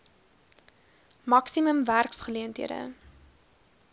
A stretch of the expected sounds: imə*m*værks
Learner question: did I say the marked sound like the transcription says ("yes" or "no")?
yes